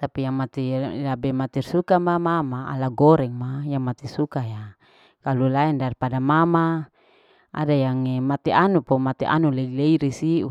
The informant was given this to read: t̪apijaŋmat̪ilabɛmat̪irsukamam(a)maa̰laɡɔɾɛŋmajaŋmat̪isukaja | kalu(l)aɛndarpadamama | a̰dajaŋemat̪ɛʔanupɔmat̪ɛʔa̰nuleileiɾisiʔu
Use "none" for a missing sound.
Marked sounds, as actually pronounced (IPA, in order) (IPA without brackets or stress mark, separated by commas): a, l